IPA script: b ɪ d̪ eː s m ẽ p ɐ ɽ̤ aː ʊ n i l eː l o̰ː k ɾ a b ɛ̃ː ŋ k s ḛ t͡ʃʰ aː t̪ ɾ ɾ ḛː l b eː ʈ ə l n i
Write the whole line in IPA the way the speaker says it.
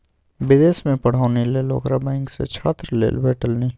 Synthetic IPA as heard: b ɪ d̪ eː s m ẽ p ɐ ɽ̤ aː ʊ n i l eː l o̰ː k ɾ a b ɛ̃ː ŋ k s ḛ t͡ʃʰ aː t̪ ɾ l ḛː l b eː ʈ ə l n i